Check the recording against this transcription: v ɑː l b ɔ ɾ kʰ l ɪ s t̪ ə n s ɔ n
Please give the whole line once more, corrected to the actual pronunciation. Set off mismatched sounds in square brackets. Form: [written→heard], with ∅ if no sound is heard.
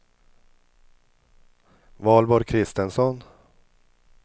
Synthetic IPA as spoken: v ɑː l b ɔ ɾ kʰ [l→ɾ] ɪ s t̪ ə n s ɔ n